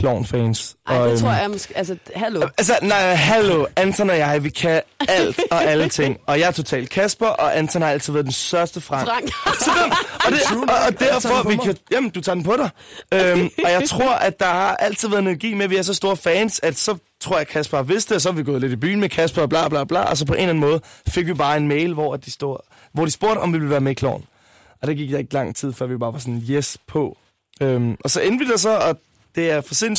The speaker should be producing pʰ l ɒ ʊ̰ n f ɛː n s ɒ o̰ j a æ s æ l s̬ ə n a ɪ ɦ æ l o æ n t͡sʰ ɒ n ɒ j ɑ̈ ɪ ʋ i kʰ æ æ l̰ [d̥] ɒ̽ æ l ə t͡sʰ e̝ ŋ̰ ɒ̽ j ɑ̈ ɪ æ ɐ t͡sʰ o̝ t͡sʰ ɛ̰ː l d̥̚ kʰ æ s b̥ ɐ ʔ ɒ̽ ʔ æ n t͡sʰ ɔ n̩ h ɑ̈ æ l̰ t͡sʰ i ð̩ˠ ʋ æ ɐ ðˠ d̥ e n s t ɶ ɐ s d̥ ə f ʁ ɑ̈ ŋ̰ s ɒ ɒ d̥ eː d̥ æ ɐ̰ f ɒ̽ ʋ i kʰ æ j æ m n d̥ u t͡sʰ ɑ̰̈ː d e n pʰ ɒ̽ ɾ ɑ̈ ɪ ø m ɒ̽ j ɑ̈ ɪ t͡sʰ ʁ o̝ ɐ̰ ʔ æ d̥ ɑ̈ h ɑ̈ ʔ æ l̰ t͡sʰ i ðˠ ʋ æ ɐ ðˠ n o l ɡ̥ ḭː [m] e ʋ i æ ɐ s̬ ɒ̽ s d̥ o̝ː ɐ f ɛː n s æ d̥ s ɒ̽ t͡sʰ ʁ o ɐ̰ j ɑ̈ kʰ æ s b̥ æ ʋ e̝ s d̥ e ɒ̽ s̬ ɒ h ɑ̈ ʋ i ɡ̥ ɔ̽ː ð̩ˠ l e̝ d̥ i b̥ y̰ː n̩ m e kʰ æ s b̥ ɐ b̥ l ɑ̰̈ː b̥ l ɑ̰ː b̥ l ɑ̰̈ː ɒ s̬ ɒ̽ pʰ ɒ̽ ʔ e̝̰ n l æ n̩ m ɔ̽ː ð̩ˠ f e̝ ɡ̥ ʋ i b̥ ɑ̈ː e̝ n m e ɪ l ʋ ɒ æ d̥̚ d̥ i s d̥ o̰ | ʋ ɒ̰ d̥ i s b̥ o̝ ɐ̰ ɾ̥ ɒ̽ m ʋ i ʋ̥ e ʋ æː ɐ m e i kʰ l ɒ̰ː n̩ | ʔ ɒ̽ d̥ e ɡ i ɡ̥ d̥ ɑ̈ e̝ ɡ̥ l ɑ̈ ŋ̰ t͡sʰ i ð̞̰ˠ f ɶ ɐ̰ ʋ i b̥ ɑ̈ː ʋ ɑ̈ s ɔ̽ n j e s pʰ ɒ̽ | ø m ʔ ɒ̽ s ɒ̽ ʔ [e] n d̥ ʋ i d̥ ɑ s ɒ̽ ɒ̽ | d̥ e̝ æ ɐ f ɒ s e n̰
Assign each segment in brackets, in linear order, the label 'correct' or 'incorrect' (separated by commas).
correct, correct, correct